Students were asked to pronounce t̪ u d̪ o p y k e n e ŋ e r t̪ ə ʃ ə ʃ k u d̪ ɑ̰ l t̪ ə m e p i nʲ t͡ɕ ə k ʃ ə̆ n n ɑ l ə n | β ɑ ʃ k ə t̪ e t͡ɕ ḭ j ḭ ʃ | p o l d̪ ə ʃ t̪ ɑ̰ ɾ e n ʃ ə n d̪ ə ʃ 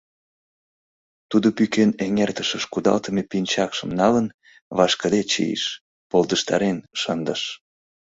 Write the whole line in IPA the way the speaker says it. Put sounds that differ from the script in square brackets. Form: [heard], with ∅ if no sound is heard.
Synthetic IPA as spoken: t̪ u d̪ o p y k e n e ŋ e r t̪ ə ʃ ə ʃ k u d̪ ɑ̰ l t̪ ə m e p i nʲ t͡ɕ [ɑ] k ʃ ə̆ [m] n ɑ l ə n | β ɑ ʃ k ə [d̪] e t͡ɕ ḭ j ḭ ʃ | p o l d̪ ə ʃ t̪ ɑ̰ ɾ e n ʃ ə n d̪ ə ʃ

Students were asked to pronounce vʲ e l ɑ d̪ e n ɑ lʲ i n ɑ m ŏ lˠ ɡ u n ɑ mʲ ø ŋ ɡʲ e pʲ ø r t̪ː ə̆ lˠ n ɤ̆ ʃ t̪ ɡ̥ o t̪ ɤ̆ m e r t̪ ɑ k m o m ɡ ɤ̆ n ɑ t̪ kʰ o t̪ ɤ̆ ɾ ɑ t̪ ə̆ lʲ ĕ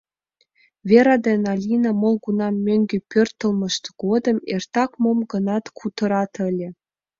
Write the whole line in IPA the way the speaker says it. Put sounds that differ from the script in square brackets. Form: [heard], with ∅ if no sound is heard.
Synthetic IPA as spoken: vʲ e [ɾ] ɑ d̪ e n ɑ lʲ i n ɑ m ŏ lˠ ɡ u n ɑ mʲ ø ŋ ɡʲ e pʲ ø r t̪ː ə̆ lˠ [m] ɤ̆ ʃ t̪ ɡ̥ o [d̪] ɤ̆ m e r t̪ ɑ k m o m ɡ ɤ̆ n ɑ t̪ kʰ [u] t̪ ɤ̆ ɾ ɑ t̪ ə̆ lʲ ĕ

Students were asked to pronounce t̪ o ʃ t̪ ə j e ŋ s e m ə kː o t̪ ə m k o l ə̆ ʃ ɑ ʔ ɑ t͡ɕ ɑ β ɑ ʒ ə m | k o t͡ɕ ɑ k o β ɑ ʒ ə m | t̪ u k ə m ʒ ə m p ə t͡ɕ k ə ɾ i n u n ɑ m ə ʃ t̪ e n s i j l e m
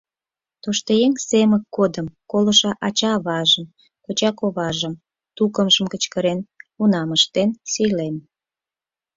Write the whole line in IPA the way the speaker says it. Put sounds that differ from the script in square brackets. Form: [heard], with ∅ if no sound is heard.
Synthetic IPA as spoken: t̪ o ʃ t̪ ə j e ŋ s e m ə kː o [d̪] ə m k o l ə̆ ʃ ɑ ʔ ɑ t͡ɕ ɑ β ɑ ʒ ə m | k o t͡ɕ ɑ k o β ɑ ʒ ə m | t̪ u k ə m ʒ ə m [k] ə t͡ɕ k ə ɾ [e] n u n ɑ m ə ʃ t̪ e n s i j l e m

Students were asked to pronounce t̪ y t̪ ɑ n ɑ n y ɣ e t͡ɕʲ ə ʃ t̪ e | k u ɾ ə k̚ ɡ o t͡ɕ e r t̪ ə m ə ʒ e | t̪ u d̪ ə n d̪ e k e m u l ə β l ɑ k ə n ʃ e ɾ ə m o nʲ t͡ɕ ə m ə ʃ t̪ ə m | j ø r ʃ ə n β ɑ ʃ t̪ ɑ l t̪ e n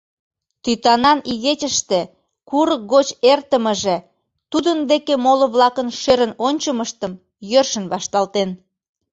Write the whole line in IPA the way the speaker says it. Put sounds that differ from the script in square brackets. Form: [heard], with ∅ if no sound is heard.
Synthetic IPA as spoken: t̪ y t̪ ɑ n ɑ n [i] ɣ e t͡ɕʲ ə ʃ t̪ e | k u ɾ ə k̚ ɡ o t͡ɕ e r t̪ ə m ə ʒ e | t̪ u d̪ ə n d̪ e k e m [o] l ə β l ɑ k ə n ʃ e ɾ ə [n] o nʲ t͡ɕ ə m ə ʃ t̪ ə m | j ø r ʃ ə n β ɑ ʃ t̪ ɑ l t̪ e n

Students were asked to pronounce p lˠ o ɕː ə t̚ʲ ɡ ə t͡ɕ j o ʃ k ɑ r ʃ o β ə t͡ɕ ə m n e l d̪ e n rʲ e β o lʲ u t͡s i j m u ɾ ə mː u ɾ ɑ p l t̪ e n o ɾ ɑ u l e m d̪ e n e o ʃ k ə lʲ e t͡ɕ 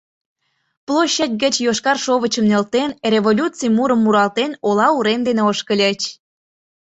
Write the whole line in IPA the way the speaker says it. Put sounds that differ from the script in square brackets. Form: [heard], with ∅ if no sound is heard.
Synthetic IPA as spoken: p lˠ o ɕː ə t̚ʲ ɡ ə t͡ɕ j o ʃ k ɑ r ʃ o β ə t͡ɕ ə m n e l [t̪] e n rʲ e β o lʲ u t͡s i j m u ɾ ə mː u ɾ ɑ [∅] l t̪ e n o [l] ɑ u [ɾ] e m d̪ e n e o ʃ k ə lʲ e t͡ɕ

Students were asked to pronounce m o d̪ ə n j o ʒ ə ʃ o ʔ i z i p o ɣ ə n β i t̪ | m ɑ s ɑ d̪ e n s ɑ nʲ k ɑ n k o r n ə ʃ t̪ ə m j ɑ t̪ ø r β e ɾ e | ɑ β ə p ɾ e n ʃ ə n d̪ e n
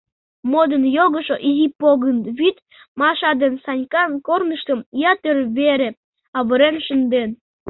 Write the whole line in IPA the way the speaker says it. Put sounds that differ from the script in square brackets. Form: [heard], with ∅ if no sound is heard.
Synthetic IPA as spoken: m o d̪ ə n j o [ɣ] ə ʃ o ʔ i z i p o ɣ ə n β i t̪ | m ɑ [ʃ] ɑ d̪ e n s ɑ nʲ k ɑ n k o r n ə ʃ t̪ ə m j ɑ t̪ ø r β e ɾ e | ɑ β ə [∅] ɾ e n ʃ ə n d̪ e n

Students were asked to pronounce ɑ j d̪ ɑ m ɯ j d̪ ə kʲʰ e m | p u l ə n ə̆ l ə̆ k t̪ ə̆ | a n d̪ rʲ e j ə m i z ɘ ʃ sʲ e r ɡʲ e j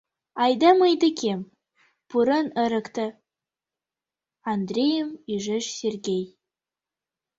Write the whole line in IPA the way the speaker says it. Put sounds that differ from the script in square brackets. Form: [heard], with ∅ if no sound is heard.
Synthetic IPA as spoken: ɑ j d̪ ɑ m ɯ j d̪ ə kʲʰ e m | p u [ɾ] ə n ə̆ [ɾ] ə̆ k t̪ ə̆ | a n d̪ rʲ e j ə m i [ʒ] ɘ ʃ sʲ e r ɡʲ e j

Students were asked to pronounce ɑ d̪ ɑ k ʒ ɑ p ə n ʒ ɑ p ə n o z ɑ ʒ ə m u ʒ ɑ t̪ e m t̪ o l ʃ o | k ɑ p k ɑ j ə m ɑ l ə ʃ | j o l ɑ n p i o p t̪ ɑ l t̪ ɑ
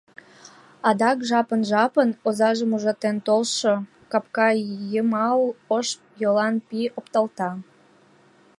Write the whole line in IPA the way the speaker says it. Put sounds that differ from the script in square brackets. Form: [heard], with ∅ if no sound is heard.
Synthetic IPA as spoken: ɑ d̪ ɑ k ʒ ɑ p ə n ʒ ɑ p ə n o z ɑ ʒ ə m u ʒ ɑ t̪ e [n] t̪ o l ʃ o | k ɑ p k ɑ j ə m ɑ l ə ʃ | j o l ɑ n p i o p t̪ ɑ l t̪ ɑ

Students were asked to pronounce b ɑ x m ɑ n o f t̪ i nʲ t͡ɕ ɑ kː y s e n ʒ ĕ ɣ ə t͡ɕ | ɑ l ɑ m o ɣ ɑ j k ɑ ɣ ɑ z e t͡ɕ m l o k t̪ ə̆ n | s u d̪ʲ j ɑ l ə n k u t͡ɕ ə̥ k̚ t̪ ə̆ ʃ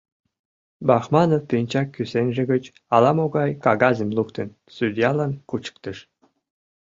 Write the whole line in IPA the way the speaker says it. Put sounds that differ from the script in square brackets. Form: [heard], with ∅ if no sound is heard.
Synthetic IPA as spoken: b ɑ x m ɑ n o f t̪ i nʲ t͡ɕ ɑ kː y s e n ʒ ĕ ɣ ə t͡ɕ | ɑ l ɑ m o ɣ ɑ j k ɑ ɣ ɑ z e [∅] m l [u] k t̪ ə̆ n | s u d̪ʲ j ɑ l [ɑ] n k u t͡ɕ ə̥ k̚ t̪ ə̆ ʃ

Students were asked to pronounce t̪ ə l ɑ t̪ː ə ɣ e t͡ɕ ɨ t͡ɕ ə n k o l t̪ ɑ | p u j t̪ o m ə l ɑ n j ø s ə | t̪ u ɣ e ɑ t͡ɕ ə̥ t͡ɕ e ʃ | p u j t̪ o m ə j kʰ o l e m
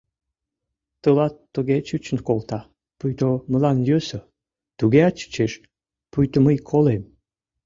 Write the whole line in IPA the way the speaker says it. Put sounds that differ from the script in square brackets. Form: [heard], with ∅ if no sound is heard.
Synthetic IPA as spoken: t̪ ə l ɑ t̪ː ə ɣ e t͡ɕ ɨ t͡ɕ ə n k o l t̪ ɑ | p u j t̪ o m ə l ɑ n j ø s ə | t̪ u ɣ e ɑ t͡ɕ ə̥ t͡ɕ e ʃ | p u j t̪ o m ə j kʰ o l e m

